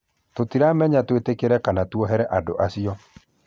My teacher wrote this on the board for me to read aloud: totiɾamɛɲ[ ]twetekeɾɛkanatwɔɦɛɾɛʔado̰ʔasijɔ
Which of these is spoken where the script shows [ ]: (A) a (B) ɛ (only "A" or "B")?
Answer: A